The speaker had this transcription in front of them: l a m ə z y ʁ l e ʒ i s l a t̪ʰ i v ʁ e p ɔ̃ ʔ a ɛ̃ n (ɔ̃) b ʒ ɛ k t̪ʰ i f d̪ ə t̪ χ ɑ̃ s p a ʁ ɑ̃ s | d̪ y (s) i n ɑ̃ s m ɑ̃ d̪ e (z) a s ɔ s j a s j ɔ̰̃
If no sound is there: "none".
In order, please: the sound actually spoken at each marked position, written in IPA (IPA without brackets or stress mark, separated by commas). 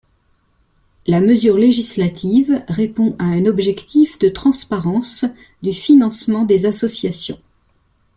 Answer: ɔ, f, z